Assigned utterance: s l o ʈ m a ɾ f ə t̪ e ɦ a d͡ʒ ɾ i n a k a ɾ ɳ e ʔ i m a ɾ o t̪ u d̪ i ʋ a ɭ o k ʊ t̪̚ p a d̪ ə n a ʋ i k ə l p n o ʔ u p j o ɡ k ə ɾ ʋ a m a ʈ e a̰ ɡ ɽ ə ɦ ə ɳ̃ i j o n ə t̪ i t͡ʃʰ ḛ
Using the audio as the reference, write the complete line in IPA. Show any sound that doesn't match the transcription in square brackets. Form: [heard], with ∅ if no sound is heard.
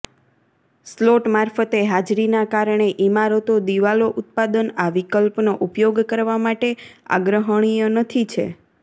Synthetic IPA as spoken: s l o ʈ m a ɾ f ə t̪ e ɦ a d͡ʒ ɾ i n a k a ɾ ɳ e ʔ i m a ɾ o t̪ [o] d̪ i ʋ a [l] o [ʔ] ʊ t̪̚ p a d̪ ə n a ʋ i k ə l p n o ʔ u p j o ɡ k ə ɾ ʋ a m a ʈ e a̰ ɡ [ɾ] ə ɦ ə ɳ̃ i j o n ə [t̪ʰ] i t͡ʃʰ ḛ